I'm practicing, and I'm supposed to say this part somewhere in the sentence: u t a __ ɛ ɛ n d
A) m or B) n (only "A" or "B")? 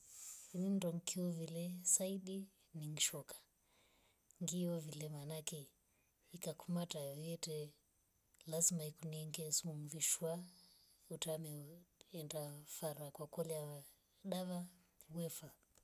A